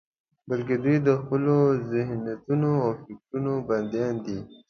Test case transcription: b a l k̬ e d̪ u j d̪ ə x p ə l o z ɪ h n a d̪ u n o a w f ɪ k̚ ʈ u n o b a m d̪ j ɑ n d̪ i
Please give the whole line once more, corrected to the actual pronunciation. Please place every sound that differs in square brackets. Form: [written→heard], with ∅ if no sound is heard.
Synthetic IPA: b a l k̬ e d̪ u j d̪ ə x p ə l o z ɪ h n a [d̪→t̪] u n o a w f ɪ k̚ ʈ u n o b a [m→n] d̪ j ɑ n d̪ i